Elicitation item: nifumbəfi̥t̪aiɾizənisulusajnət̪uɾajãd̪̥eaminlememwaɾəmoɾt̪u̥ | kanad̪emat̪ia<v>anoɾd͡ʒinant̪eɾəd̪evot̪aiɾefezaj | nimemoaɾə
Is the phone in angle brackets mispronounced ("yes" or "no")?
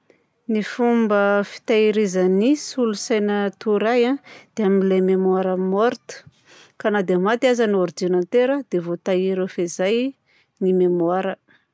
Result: yes